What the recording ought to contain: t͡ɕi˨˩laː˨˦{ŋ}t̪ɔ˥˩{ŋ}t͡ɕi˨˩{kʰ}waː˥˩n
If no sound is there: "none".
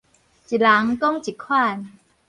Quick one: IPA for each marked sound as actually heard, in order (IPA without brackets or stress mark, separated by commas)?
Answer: ŋ, ŋ, kʰ